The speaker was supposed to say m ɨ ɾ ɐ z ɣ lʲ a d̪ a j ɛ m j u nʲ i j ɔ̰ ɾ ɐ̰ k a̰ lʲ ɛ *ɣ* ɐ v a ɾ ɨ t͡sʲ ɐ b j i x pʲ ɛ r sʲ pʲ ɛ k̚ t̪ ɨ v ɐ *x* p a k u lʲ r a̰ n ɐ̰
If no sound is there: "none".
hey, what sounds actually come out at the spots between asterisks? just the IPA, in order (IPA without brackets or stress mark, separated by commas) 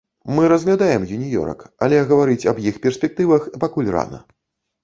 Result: ɣ, x